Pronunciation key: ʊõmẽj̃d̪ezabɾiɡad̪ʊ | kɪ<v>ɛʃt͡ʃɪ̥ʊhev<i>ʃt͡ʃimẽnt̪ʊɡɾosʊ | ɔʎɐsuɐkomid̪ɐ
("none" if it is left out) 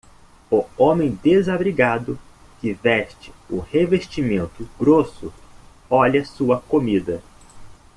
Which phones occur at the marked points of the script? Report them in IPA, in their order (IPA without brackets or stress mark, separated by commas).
v, e